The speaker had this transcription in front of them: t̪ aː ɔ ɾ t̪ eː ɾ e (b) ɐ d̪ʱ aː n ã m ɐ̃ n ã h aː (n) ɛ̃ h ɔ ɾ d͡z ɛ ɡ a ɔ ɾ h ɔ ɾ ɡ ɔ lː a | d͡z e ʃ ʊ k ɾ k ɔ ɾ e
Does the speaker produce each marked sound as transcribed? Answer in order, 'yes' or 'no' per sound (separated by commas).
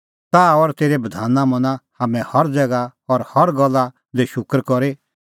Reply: yes, no